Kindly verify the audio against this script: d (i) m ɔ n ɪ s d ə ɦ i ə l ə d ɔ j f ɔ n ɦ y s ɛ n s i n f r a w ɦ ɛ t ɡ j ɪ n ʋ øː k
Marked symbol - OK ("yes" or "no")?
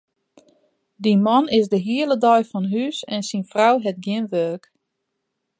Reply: yes